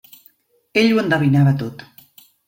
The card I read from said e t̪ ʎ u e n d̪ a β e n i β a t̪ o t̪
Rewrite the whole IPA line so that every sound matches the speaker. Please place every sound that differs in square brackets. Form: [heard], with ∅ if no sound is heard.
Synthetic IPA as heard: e [∅] ʎ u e n d̪ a β [i] n [a] β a t̪ o t̪